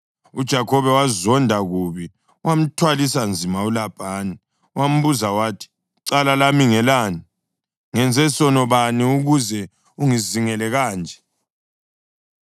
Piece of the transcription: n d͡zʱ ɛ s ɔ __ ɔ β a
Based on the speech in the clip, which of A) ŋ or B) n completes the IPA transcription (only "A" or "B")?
B